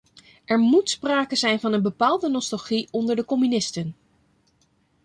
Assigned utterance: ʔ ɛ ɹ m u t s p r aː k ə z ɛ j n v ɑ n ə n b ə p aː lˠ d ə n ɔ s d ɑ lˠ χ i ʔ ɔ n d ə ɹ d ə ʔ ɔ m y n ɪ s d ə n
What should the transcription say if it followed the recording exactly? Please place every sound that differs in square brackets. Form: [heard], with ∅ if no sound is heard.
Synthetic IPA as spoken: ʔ ɛ ɹ m u t s p r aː k ə z ɛ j n v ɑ n ə n b ə p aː lˠ d ə n ɔ s [t] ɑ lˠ χ i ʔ ɔ n d ə ɹ d ə [k] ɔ m y n ɪ s [t] ə n